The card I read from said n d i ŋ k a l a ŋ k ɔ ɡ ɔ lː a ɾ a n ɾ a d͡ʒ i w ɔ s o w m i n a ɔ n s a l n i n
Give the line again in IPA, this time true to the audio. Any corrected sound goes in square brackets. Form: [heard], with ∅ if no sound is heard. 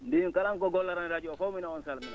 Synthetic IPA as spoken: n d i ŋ k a l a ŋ k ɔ ɡ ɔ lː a ɾ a n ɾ a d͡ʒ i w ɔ [f] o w m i n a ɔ n s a l [m] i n